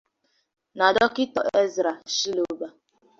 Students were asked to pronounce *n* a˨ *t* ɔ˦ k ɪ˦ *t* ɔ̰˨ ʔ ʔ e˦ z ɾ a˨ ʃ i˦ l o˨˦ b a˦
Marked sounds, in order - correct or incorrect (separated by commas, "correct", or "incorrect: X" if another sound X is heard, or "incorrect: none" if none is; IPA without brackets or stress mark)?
correct, incorrect: d, correct